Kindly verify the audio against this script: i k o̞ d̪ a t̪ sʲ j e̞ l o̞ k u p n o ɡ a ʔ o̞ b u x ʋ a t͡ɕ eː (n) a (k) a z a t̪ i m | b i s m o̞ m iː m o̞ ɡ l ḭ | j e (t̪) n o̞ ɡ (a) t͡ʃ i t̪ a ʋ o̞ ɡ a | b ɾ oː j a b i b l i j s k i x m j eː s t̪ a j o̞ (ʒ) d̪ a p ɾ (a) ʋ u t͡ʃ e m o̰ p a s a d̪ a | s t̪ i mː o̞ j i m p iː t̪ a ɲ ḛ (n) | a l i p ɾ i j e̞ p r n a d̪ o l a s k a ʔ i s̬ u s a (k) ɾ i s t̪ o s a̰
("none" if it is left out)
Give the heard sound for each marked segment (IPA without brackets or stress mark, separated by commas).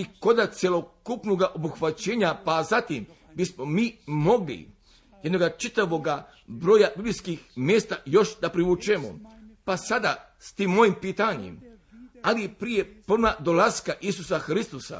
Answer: ɲ, p, d̪, a, ʃ, i, m, x